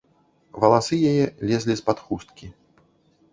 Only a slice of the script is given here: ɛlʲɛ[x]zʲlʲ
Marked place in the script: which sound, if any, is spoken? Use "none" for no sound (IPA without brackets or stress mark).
none